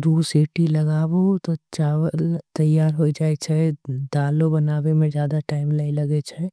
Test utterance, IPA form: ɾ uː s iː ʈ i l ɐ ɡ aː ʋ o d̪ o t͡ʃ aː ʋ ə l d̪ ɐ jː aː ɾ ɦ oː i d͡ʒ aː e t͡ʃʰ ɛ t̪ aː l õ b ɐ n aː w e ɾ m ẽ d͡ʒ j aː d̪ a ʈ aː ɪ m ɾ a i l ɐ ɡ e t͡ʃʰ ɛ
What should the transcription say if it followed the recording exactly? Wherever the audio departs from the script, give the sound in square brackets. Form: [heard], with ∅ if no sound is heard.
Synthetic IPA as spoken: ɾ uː s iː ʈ i l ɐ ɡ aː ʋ o [t̪] o t͡ʃ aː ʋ ə l [t̪] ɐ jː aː ɾ ɦ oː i d͡ʒ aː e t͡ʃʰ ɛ [d̪] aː l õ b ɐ n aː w e [∅] m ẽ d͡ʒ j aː d̪ a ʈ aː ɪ m [l] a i l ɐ ɡ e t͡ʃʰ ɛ

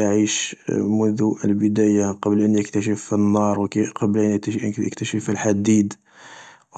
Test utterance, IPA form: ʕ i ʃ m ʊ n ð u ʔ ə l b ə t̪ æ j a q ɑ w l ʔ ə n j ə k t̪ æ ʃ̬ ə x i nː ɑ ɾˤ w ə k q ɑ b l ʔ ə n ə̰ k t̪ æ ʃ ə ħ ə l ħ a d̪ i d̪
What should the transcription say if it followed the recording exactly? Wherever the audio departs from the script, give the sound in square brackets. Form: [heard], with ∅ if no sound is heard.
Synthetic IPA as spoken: ʕ i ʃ m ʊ n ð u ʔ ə l b ə [d̪] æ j a q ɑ [b] l ʔ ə n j ə k t̪ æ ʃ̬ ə [f] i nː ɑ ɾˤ w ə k q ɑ b l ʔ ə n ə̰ k t̪ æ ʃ ə [f] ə l ħ a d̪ i d̪

